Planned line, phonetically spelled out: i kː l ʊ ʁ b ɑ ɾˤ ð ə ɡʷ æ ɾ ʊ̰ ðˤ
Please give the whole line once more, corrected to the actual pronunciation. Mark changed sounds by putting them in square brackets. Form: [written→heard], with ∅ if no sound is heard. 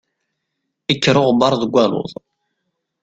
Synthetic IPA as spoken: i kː [l→ɾ] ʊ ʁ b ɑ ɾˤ ð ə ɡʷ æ [ɾ→l] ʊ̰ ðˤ